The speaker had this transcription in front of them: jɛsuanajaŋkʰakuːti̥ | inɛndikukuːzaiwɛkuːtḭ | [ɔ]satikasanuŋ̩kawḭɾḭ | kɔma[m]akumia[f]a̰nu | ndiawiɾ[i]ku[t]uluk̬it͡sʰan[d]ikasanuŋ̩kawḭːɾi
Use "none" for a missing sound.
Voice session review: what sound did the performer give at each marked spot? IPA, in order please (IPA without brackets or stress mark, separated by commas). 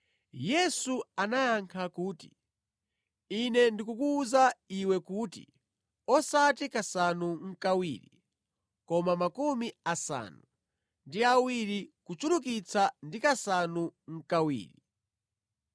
ɔ, m, s, i, t͡ʃ, d